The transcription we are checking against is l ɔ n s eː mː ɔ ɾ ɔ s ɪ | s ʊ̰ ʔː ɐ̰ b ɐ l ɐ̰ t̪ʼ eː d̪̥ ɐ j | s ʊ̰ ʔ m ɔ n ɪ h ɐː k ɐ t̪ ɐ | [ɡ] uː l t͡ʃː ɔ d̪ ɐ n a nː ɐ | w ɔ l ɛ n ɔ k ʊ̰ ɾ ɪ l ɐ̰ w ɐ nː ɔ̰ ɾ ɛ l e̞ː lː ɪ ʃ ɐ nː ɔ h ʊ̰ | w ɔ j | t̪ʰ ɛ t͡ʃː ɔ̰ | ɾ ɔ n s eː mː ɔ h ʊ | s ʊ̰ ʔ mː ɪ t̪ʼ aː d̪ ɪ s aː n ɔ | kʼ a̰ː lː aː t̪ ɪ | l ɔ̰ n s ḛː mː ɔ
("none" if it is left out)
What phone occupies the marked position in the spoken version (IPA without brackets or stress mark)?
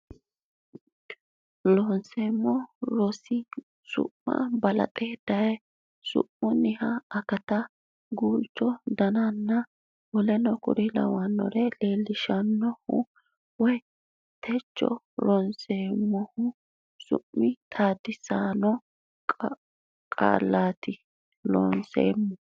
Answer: ɡ